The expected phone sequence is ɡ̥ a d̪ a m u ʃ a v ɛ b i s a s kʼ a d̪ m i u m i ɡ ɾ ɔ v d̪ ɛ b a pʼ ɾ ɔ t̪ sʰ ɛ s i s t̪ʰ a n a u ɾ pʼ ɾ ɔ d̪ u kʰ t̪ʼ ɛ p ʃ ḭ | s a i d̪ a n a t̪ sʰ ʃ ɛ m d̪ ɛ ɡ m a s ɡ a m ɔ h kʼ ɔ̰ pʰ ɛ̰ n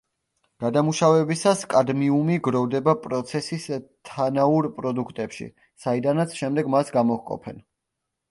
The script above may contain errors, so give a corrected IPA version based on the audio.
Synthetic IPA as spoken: ɡ̥ a d̪ a m u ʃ a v ɛ b i s a s kʼ a d̪ m i u m i ɡ ɾ ɔ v d̪ ɛ b a pʼ ɾ ɔ t̪ sʰ ɛ s i s t̪ʰ a n a u ɾ pʼ ɾ ɔ d̪ u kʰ t̪ʼ ɛ p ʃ ḭ | s a i d̪ a n a t̪ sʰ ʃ ɛ m d̪ ɛ ɡ m a s ɡ a m ɔ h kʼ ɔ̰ pʰ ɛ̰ n